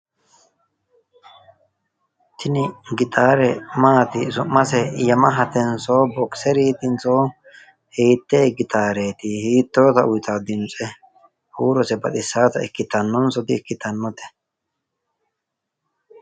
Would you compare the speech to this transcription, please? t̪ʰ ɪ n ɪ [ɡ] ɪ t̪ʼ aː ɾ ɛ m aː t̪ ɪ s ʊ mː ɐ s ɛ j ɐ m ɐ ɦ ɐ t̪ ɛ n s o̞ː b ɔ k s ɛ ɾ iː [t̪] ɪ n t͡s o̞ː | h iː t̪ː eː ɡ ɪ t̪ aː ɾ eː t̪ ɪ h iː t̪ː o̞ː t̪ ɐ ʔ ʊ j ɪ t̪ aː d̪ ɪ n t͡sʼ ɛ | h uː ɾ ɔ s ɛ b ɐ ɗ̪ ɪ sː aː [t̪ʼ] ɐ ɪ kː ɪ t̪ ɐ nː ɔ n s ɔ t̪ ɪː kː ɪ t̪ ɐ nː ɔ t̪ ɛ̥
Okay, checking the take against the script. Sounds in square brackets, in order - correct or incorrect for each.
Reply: correct, correct, incorrect: t̪

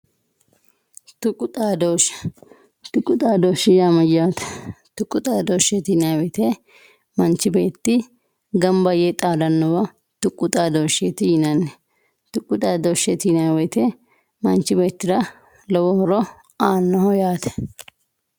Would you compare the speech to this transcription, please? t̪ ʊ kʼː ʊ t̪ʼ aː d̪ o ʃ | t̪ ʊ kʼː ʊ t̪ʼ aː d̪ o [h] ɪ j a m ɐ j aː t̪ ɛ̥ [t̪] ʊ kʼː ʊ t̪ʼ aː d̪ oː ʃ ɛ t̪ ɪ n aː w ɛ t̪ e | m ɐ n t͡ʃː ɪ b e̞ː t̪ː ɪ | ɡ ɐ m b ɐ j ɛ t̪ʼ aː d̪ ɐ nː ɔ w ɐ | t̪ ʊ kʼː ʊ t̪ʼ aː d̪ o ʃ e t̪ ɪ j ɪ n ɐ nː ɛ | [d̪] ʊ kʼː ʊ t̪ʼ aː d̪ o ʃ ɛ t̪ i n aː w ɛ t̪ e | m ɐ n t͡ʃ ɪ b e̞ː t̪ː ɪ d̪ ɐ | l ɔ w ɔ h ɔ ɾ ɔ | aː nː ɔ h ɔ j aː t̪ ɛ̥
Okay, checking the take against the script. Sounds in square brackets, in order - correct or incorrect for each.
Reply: incorrect: ʃ, correct, incorrect: t̪

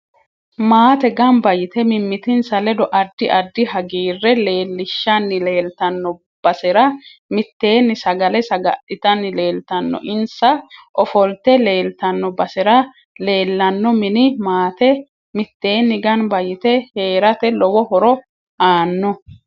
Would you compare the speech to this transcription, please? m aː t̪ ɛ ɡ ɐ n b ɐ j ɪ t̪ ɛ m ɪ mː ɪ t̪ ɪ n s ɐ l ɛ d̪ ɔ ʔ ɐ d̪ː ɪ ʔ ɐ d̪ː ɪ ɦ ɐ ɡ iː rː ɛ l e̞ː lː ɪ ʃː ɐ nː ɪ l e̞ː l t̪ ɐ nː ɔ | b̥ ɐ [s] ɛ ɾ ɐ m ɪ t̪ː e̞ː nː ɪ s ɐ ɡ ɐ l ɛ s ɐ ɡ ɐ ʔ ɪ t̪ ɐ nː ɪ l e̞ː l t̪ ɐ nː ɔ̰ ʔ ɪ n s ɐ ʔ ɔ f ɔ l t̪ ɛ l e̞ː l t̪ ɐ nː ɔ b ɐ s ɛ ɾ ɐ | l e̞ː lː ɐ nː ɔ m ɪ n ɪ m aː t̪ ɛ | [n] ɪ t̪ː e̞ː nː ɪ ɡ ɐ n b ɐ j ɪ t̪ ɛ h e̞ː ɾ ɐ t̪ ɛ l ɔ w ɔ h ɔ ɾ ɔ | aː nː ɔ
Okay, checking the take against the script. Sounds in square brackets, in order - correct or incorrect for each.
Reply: correct, incorrect: m

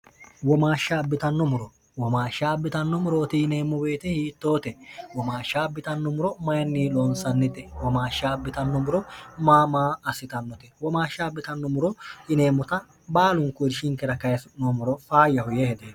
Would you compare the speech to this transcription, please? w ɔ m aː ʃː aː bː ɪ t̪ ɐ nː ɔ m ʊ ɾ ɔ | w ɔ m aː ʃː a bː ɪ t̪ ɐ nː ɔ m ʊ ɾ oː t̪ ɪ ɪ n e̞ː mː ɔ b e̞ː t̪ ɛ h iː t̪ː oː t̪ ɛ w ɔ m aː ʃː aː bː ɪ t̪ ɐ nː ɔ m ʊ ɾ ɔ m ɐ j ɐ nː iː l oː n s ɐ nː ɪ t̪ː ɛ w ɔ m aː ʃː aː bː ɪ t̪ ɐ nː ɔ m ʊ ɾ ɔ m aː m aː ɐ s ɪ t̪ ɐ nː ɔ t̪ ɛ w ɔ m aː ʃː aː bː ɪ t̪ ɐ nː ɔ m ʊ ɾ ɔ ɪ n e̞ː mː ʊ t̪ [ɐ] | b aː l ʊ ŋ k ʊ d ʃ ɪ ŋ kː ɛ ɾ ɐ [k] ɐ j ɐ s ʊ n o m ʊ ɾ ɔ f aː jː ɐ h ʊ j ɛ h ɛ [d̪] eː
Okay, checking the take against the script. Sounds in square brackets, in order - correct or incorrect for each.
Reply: correct, correct, correct

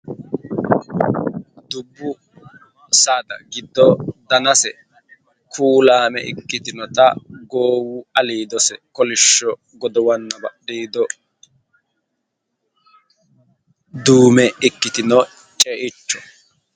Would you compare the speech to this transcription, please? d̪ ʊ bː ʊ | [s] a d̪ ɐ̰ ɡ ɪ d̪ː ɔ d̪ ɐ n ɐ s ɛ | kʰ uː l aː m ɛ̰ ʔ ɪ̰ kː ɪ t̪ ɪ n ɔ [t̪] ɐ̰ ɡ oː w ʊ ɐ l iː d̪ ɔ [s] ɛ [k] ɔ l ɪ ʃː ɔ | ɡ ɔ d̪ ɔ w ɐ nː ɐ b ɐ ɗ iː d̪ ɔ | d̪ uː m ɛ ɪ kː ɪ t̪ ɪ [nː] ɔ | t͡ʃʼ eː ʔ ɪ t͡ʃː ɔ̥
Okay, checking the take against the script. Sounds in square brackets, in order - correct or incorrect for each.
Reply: correct, correct, correct, correct, incorrect: n

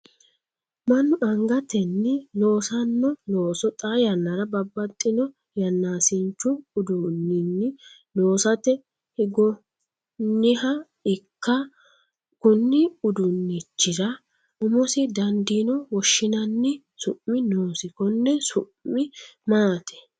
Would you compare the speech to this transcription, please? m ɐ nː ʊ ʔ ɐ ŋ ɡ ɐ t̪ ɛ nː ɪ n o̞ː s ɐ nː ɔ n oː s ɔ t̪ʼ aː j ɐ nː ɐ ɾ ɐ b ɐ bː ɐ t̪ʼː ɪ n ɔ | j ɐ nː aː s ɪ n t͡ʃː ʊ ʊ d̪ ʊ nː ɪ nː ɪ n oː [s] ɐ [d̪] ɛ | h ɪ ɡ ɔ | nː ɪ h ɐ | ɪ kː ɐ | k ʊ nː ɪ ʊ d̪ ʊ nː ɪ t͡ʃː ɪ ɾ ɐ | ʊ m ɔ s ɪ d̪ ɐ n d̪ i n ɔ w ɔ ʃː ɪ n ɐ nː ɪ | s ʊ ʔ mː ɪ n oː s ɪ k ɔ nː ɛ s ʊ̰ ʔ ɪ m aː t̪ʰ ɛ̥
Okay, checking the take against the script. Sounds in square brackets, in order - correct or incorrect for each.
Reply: correct, incorrect: t̪

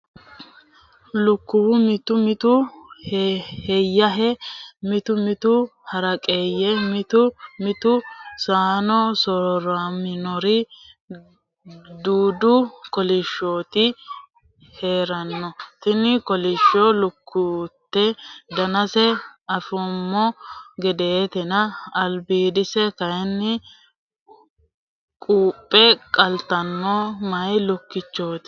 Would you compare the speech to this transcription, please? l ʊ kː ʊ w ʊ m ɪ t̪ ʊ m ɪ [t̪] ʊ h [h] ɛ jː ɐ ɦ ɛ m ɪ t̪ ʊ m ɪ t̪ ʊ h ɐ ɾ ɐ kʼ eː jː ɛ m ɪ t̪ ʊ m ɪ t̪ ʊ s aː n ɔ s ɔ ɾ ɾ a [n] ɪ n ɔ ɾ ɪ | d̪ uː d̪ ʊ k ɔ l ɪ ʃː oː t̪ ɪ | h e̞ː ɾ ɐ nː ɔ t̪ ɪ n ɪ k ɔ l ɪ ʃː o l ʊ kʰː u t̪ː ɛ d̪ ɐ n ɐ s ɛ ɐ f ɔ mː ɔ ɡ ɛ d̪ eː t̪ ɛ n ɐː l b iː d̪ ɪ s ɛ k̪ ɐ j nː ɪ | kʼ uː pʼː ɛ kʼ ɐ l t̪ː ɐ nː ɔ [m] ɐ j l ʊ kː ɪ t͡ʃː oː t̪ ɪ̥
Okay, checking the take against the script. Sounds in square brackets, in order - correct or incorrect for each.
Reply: correct, correct, incorrect: m, correct

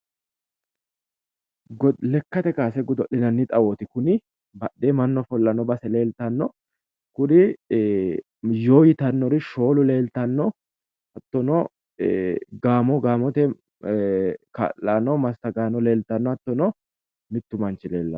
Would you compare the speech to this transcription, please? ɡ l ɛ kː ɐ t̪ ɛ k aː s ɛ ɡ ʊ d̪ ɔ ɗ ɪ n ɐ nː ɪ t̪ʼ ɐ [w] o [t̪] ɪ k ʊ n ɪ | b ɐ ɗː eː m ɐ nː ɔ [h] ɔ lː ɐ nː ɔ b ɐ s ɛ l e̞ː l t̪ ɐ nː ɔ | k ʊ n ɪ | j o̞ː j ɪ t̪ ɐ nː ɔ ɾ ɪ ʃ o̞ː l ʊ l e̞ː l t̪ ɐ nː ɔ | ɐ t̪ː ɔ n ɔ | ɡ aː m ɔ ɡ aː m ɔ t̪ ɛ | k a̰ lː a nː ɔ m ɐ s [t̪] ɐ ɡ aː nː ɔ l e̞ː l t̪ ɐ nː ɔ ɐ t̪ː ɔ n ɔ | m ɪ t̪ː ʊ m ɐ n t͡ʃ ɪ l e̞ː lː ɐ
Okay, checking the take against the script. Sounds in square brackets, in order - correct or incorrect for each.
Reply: correct, correct, incorrect: f, correct

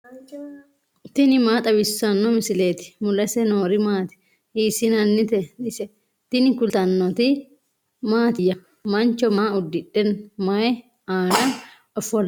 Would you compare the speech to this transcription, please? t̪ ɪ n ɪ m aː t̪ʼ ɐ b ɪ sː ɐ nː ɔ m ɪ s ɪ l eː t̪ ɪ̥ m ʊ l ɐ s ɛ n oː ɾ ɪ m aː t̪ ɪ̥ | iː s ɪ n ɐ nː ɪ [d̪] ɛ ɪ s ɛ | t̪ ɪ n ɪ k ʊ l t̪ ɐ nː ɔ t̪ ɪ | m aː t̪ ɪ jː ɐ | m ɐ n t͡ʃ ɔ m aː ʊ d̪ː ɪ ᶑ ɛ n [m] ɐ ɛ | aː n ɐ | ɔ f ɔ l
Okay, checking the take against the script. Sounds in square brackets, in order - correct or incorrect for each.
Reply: incorrect: t̪, correct

